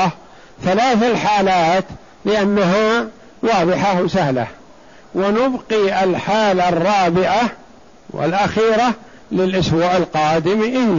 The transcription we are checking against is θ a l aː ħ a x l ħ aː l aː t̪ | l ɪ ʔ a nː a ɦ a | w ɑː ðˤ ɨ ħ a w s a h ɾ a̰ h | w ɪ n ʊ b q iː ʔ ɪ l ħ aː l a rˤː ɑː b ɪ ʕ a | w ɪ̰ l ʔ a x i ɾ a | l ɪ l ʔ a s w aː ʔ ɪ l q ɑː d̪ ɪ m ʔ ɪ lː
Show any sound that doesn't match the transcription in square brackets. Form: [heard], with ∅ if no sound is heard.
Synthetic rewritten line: θ a l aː [θ] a [∅] l ħ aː l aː t̪ | l ɪ ʔ a nː a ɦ a | w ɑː ðˤ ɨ ħ a w s a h [l] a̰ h | w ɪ n ʊ b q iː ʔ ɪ l ħ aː l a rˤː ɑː b ɪ ʕ a | w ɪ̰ l ʔ a x [iː] ɾ a | l ɪ l ʔ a s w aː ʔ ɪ l q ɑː d̪ ɪ m ʔ ɪ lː